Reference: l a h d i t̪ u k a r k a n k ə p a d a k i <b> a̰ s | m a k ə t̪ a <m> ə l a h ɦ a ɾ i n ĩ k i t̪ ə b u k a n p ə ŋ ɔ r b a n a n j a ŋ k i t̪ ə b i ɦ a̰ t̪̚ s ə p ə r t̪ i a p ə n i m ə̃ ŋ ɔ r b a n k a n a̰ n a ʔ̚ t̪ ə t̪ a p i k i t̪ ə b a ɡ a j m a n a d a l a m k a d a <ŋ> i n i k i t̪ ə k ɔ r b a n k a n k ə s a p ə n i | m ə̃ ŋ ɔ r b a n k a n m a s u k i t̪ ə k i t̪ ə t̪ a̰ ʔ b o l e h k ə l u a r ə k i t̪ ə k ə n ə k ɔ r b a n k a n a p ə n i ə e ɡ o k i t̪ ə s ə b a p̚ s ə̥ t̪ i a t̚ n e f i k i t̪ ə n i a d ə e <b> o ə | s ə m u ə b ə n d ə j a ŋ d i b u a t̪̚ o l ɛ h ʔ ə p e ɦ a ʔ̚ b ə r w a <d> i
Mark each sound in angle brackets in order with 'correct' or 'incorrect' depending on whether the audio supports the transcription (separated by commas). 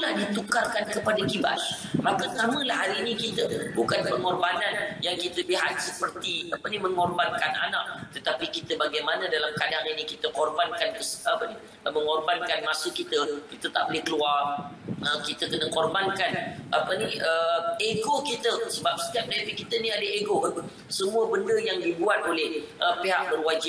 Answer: correct, correct, correct, incorrect, incorrect